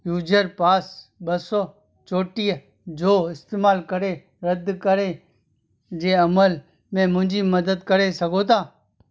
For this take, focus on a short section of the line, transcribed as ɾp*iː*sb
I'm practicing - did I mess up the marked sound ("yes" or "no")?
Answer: yes